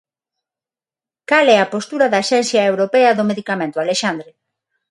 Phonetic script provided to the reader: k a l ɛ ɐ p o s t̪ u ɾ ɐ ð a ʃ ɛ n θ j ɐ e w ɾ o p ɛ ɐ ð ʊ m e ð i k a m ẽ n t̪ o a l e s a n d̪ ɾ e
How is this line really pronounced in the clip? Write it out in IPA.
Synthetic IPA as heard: k a l ɛ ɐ p o s t̪ u ɾ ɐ ð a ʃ ɛ n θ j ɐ e w ɾ o p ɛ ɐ ð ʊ m e ð i k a m ẽ n t̪ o a l e ʃ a n d̪ ɾ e